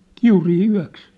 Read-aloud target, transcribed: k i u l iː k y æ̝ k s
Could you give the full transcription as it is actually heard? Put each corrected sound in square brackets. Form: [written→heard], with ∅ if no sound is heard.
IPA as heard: k i u [l→r] iː [k→∅] y æ̝ k s